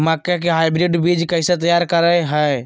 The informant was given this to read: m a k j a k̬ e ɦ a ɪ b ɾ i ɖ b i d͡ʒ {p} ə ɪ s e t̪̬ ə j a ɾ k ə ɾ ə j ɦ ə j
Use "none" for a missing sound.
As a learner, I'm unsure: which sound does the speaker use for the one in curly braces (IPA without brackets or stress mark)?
k